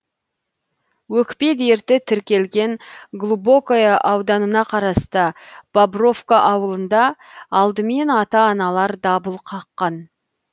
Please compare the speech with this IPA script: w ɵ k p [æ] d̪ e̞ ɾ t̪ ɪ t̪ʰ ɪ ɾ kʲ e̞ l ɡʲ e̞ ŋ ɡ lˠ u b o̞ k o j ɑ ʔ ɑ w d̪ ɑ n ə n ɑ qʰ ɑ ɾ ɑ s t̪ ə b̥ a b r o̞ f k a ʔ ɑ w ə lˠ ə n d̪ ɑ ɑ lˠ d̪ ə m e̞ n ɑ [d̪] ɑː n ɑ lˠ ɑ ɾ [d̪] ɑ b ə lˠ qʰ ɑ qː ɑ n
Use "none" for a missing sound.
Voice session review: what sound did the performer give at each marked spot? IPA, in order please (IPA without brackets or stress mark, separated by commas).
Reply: e, t̪, d̪